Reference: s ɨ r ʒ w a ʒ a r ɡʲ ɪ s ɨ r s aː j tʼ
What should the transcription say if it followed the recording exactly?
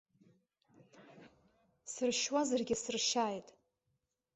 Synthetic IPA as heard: s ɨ r ʃ w a z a r ɡʲ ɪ s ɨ r ʃ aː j tʼ